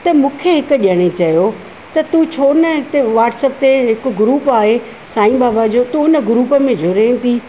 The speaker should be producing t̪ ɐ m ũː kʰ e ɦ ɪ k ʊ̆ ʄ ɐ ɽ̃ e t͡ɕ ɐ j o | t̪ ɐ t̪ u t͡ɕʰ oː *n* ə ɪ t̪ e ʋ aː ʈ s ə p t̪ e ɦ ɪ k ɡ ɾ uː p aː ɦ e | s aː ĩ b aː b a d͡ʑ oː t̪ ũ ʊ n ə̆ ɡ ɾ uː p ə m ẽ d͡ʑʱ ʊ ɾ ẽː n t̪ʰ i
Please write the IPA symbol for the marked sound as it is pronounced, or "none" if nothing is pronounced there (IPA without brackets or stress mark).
n